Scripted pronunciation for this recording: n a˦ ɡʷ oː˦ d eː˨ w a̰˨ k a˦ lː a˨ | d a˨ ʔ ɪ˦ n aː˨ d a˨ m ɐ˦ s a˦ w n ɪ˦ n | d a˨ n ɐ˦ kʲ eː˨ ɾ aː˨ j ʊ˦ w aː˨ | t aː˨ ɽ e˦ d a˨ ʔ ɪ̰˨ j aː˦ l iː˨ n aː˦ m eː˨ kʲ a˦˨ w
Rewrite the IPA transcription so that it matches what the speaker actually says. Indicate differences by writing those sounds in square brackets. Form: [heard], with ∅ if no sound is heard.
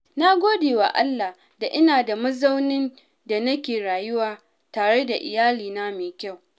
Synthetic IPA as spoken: n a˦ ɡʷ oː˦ d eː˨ w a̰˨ [ʔ] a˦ lː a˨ | d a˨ ʔ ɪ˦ n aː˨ d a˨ m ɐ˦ [z] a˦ w n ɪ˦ n | d a˨ n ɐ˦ kʲ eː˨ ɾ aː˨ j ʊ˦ w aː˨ | t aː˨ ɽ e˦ d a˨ ʔ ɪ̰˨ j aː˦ l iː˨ n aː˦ m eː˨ kʲ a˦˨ w